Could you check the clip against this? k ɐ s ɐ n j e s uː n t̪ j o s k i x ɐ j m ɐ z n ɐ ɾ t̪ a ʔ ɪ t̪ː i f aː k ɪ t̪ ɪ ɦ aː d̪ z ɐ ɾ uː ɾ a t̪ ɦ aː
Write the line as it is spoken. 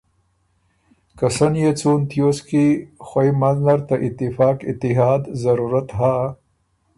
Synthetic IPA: k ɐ s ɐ n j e t͡s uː n t̪ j o s k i x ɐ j m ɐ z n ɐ ɾ t̪ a ʔ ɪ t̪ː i f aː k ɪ t̪ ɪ ɦ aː d̪ z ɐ ɾ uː ɾ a t̪ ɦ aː